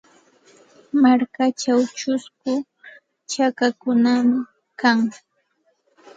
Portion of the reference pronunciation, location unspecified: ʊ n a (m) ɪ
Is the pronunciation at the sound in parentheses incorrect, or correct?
correct